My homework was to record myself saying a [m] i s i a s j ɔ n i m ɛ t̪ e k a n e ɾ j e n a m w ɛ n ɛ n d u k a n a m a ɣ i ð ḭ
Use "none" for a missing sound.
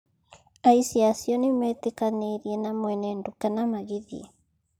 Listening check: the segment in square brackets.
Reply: none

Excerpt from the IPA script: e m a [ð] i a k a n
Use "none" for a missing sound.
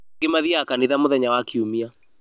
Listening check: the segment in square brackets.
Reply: ð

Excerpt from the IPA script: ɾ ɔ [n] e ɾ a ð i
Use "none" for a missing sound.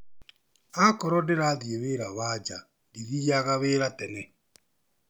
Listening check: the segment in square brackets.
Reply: d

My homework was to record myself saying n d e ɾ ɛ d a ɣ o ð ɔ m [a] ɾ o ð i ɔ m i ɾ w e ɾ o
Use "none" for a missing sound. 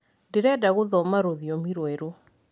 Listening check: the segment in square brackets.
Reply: a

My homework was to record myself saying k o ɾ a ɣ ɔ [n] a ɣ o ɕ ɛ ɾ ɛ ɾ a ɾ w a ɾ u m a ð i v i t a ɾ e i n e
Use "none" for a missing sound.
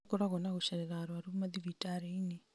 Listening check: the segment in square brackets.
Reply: n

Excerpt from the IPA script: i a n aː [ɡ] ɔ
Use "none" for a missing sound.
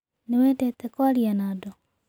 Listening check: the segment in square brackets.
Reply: d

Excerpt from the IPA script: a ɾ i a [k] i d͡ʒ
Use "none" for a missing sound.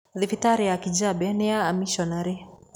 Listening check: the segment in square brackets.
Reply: k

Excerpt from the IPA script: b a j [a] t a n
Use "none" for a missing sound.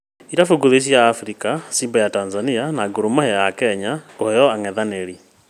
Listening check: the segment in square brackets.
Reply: a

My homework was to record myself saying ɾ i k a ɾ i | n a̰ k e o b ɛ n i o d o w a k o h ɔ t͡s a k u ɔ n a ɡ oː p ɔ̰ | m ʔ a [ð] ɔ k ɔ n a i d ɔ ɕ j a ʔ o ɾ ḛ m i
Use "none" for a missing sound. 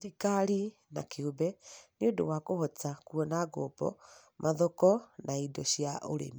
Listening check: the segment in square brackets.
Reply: ð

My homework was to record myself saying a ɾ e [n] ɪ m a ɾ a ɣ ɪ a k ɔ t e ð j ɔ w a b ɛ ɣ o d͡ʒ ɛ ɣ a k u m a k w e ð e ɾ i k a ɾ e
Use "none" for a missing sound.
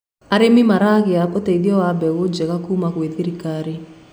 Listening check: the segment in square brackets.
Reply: m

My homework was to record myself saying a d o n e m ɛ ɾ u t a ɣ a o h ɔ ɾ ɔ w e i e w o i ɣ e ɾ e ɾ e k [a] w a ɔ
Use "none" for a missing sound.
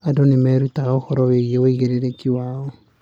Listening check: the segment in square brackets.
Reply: i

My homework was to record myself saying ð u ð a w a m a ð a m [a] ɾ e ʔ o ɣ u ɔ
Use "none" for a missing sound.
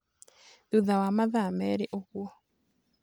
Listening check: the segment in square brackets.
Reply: ɛ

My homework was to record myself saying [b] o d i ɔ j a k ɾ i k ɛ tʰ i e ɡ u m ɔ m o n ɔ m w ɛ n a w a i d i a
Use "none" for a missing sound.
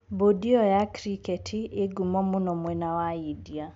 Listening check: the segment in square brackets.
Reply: b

